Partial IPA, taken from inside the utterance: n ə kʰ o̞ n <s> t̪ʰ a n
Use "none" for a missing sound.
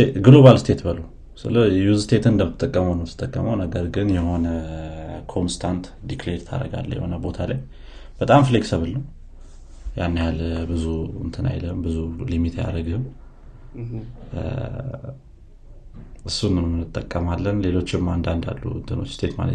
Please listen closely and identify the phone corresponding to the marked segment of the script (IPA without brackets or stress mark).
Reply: s